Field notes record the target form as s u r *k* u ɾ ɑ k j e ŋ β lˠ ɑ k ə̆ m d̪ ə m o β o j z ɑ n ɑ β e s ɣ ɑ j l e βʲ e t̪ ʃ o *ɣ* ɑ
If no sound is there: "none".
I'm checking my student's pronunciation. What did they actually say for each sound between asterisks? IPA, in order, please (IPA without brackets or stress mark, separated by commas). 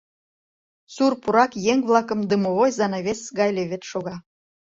p, ɣ